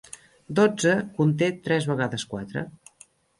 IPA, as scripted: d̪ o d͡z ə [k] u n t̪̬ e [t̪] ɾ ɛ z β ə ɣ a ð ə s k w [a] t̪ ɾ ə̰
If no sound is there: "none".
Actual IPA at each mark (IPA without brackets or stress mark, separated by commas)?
k, t̪, a